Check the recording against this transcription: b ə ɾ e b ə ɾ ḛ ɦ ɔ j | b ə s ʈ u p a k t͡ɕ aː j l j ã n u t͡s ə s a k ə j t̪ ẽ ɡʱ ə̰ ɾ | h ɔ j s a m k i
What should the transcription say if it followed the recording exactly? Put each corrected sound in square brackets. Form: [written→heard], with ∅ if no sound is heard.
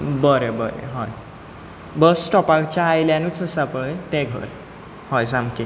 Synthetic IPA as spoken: b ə ɾ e b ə ɾ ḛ ɦ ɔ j | b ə s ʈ [u→ɔ] p a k t͡ɕ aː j l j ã n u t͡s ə s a [k→p] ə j t̪ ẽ ɡʱ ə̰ ɾ | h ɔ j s a m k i